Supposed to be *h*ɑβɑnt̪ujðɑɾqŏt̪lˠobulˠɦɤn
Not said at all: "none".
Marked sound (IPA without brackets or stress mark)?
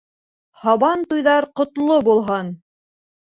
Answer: h